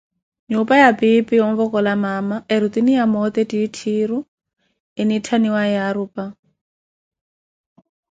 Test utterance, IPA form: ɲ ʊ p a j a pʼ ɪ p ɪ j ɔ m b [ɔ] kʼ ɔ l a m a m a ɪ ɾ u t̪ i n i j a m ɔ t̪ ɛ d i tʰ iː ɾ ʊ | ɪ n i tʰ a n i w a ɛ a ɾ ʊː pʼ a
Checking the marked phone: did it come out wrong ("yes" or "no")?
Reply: no